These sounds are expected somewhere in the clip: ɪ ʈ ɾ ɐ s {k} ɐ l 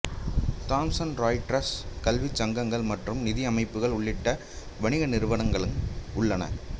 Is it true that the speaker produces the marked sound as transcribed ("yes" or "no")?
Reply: yes